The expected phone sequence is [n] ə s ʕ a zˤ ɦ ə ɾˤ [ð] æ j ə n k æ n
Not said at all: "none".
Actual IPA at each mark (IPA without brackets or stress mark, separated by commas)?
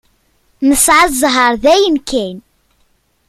m, ð